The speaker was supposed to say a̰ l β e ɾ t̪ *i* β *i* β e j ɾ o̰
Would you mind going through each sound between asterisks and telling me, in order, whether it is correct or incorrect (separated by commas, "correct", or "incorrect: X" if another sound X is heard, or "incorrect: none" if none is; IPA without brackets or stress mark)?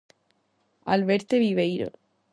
incorrect: e, correct